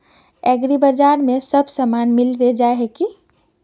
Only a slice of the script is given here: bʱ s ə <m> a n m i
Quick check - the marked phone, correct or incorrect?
correct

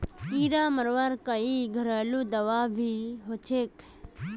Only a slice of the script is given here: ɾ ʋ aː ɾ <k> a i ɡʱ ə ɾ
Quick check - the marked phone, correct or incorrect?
correct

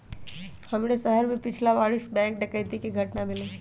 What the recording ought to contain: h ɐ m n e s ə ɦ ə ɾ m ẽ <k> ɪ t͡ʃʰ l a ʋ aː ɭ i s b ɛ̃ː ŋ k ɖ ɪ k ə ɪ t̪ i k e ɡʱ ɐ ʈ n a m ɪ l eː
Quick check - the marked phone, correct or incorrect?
incorrect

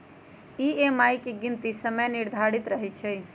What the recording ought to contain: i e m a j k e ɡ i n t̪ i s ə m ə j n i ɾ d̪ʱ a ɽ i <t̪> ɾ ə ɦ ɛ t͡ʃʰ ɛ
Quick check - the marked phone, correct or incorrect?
correct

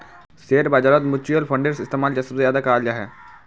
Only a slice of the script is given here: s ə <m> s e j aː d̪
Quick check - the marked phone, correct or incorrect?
incorrect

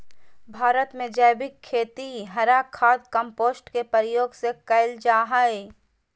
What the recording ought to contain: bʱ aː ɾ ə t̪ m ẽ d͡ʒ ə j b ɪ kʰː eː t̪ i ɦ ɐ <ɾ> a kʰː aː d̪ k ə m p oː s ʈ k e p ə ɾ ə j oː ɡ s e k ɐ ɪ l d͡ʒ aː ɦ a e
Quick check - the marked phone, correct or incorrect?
correct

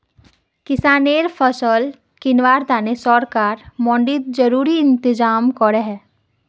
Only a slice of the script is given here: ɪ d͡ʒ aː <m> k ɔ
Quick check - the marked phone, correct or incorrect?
correct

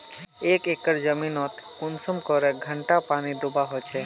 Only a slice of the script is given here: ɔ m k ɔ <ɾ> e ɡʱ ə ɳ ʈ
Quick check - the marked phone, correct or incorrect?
correct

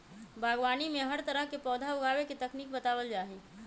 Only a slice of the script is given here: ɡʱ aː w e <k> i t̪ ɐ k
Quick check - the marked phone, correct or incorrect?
correct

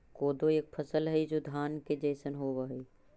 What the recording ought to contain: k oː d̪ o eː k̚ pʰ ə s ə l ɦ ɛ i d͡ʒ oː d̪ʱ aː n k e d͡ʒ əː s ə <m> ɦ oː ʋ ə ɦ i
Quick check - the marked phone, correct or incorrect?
incorrect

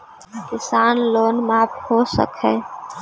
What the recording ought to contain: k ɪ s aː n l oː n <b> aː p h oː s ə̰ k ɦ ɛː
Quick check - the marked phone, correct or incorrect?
incorrect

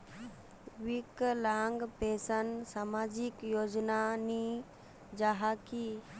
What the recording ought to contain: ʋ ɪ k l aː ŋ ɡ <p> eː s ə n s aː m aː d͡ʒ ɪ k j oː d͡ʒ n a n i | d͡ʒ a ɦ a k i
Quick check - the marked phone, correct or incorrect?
correct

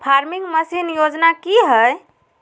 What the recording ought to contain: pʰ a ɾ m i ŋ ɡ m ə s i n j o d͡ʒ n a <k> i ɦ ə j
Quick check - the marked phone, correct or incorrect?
correct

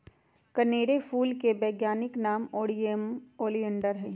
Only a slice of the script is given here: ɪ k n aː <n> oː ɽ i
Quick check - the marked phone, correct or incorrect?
incorrect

